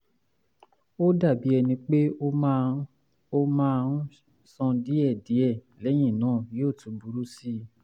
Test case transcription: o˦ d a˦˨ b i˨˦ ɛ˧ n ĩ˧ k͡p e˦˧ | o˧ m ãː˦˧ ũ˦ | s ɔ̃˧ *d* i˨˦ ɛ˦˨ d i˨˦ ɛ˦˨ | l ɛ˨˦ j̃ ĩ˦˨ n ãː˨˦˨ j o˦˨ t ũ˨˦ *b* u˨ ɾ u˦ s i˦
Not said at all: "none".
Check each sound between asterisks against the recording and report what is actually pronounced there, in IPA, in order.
d, b

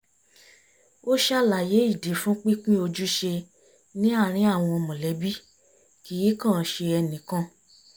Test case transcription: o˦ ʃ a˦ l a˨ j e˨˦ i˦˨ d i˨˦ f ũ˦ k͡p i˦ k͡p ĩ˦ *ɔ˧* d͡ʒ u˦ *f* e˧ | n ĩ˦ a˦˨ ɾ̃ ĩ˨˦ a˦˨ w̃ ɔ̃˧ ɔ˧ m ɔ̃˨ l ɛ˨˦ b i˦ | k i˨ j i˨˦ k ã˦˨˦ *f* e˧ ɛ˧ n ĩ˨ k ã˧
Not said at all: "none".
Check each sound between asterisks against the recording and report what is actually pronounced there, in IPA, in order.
o˧, ʃ, ʃ

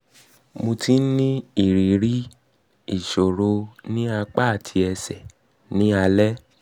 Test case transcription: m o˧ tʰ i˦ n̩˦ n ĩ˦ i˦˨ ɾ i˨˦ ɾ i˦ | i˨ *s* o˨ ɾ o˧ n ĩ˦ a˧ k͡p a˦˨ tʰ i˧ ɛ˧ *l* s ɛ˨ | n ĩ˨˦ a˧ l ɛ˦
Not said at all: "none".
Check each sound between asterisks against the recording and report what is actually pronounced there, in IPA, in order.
ʃ, none

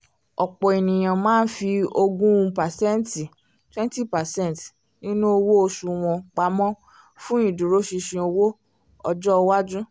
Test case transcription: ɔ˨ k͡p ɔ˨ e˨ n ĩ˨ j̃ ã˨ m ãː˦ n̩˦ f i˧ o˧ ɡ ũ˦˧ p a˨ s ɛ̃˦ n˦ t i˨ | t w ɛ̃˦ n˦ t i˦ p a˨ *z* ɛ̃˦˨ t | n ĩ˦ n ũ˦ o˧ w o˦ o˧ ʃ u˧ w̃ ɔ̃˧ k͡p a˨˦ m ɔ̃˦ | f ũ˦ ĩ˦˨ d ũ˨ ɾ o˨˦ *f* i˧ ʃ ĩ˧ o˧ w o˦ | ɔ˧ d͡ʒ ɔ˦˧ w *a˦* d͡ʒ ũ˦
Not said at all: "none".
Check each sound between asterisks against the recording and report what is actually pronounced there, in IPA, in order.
s, ʃ, a˦

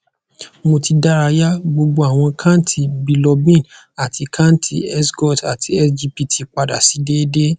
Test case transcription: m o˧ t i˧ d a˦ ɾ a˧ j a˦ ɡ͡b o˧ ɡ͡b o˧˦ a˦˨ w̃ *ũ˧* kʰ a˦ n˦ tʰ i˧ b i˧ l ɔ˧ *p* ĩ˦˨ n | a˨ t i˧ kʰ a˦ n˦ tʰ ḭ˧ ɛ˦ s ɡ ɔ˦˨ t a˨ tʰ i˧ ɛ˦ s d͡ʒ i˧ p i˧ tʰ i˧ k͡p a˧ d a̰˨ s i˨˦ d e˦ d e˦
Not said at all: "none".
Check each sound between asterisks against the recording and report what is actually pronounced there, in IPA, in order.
ɔ̃˧, b

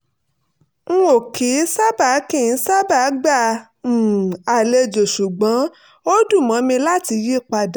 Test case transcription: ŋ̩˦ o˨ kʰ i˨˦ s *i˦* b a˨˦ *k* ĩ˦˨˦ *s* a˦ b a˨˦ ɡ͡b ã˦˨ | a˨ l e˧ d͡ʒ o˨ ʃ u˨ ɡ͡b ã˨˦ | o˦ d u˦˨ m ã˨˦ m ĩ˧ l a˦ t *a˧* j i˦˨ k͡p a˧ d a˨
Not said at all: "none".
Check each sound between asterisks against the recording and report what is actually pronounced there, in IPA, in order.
a˦, k, s, i˧

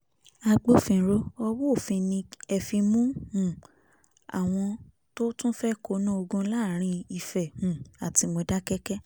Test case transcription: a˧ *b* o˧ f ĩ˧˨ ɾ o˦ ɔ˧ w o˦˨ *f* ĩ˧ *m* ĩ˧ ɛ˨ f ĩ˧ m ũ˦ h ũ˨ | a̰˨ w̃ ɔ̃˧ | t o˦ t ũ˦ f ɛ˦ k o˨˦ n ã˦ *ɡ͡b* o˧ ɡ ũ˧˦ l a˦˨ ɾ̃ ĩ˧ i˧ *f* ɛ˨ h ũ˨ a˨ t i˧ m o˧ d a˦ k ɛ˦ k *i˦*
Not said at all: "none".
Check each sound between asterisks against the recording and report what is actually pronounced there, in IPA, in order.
ɡ͡b, f, n, none, f, ɛ˦

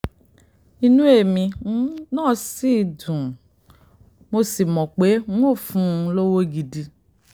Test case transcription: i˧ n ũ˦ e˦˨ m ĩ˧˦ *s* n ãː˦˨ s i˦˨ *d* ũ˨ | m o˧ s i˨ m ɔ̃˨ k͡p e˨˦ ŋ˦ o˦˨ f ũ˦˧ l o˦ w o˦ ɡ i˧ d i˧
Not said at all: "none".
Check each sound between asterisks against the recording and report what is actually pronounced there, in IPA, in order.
none, d

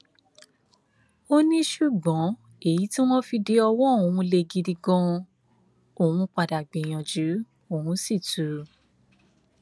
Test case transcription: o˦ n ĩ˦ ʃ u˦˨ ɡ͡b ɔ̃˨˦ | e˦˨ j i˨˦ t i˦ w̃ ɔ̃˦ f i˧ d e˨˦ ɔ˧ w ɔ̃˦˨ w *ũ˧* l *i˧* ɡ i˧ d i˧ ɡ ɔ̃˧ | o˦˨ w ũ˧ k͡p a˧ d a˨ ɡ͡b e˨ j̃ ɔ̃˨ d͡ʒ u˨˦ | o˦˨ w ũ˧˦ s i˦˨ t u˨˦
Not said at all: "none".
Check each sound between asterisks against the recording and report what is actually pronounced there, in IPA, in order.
ũ˧, e˧

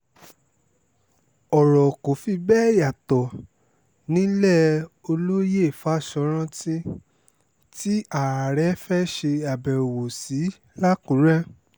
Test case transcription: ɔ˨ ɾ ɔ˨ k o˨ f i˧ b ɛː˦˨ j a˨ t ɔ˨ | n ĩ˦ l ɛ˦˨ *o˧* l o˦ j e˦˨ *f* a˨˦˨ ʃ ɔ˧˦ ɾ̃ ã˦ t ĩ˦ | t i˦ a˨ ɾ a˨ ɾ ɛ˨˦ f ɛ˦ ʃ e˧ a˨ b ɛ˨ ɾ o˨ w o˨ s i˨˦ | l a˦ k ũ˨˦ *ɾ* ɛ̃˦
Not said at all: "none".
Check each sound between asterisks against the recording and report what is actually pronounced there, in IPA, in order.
o˧, f, ɾ

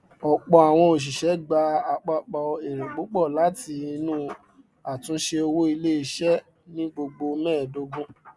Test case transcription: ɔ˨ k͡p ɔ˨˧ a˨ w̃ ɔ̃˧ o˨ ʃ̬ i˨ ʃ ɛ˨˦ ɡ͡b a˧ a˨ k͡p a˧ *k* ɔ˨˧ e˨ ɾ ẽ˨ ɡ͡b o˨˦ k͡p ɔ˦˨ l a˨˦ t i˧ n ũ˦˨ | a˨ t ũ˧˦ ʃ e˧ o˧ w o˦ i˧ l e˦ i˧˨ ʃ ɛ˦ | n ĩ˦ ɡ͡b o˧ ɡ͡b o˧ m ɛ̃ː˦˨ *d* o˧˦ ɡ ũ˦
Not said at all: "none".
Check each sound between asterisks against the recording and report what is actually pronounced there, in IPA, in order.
k͡p, d

